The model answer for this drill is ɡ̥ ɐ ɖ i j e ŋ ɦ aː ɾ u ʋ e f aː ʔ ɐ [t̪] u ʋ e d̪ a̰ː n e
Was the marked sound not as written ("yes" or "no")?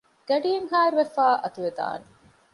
no